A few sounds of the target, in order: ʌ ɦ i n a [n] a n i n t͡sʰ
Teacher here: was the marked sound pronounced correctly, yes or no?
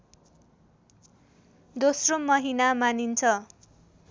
no